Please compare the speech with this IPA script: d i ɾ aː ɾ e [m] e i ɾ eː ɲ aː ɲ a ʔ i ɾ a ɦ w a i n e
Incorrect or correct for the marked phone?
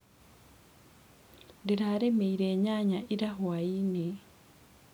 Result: correct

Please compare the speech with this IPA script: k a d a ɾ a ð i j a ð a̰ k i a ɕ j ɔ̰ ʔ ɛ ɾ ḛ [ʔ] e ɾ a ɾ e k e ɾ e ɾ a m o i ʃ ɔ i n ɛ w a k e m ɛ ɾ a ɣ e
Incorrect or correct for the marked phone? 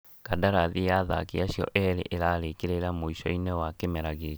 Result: correct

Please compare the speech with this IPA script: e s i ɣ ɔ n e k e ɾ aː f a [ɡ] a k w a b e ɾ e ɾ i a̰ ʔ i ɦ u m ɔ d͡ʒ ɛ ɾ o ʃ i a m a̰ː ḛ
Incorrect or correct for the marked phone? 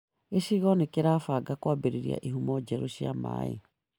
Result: correct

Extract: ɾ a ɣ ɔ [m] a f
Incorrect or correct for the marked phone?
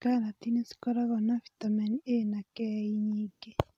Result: incorrect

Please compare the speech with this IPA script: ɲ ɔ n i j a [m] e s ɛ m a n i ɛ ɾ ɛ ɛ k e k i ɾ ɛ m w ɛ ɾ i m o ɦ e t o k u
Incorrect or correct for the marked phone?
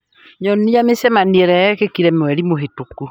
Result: correct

